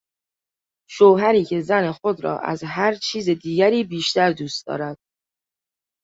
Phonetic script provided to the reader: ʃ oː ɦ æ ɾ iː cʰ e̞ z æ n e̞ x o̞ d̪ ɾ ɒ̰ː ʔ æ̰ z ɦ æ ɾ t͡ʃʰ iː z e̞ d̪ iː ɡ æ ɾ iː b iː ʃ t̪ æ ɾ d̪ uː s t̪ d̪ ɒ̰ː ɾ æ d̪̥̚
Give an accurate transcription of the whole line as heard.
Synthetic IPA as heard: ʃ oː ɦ æ ɾ iː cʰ e̞ z æ n e̞ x o̞ d̪ ɾ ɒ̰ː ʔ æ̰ z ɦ æ ɾ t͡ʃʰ iː z e̞ d̪ iː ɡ æ ɾ iː b iː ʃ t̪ æ ɾ d̪ uː s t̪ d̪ ɒ̰ː ɾ æ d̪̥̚